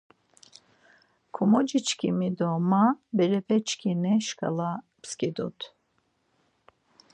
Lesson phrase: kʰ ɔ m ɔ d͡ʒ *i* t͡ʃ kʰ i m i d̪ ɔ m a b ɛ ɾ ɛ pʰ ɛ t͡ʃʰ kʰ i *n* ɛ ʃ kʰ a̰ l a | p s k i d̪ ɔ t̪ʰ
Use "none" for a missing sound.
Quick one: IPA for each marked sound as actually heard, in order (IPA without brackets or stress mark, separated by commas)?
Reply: i, n